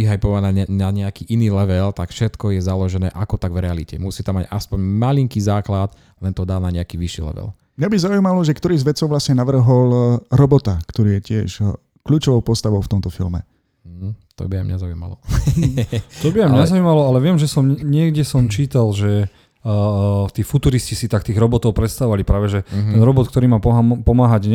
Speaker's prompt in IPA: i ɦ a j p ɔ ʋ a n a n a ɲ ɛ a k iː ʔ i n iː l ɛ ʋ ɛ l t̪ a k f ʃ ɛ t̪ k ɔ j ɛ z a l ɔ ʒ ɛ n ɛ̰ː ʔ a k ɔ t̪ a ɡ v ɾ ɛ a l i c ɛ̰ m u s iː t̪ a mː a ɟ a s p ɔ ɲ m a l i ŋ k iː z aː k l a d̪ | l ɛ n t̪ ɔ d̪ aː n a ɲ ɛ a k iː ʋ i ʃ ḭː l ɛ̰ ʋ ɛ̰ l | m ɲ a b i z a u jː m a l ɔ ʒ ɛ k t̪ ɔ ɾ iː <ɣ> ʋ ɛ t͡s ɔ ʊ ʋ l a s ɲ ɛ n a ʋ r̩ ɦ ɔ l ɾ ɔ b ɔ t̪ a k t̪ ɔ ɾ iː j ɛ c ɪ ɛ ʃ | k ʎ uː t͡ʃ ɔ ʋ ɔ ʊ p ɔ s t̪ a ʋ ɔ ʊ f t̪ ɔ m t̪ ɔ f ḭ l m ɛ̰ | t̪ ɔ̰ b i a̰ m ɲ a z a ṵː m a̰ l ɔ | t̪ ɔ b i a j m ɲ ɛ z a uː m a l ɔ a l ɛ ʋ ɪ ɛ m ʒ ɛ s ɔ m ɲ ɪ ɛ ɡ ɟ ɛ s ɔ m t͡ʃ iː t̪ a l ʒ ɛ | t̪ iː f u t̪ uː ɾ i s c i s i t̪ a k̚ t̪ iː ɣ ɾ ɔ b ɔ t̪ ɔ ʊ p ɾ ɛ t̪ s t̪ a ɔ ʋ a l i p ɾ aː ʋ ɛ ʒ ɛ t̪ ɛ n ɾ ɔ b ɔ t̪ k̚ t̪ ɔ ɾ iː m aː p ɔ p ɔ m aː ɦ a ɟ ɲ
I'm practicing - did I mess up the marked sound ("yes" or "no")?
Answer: yes